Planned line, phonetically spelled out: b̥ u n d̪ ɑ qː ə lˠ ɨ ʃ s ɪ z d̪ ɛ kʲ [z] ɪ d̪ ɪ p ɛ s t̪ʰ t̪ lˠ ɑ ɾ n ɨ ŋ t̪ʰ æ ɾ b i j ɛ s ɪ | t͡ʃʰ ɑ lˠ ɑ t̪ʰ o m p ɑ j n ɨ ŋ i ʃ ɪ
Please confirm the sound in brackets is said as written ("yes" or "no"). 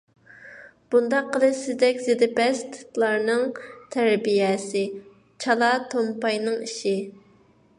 yes